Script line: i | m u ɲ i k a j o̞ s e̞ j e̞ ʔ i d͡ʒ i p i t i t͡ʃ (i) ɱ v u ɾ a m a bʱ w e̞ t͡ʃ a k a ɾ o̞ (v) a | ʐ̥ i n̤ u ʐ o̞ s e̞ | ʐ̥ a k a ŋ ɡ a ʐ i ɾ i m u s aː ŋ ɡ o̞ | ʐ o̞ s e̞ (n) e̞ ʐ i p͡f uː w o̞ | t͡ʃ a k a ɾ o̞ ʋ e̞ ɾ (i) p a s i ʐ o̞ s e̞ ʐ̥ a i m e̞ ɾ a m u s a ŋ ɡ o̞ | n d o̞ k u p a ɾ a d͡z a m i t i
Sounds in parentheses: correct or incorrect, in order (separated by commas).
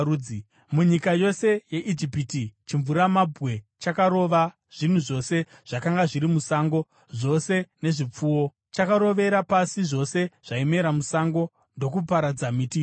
correct, incorrect, correct, incorrect